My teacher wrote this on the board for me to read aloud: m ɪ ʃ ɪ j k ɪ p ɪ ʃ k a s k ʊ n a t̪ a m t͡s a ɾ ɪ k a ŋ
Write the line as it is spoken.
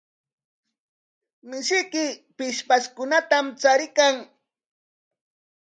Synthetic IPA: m ɪ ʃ ɪ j k ɪ p ɪ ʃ p a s k ʊ n a t̪ a m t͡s a ɾ ɪ k a ŋ